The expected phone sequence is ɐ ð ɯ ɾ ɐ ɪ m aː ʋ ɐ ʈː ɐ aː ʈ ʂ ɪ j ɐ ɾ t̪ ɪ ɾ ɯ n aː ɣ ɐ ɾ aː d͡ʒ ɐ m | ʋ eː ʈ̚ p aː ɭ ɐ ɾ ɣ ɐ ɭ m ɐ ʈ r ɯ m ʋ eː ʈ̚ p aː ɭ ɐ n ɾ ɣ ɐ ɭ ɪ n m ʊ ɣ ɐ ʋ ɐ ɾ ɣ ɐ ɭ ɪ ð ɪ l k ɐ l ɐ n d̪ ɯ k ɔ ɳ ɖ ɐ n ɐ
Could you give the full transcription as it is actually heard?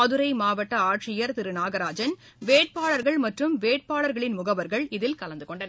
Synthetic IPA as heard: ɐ ð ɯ ɾ ɐ ɪ m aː ʋ ɐ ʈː ɐ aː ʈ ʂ ɪ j ɐ ɾ t̪ ɪ ɾ ɯ n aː ɣ ɐ ɾ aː d͡ʒ ɐ n | ʋ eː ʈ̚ p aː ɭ ɐ ɾ ɣ ɐ ɭ m ɐ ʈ r ɯ m ʋ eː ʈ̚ p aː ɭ ɐ ɾ ɣ ɐ ɭ ɪ n m ʊ ɣ ɐ ʋ ɐ ɾ ɣ ɐ ɭ ɪ ð ɪ l k ɐ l ɐ n d̪ ɯ k ɔ ɳ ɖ ɐ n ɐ